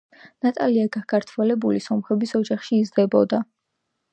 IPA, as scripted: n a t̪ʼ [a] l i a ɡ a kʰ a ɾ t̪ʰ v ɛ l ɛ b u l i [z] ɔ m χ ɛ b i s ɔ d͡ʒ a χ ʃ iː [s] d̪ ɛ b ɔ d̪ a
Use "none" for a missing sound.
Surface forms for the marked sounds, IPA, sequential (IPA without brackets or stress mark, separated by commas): a, s, z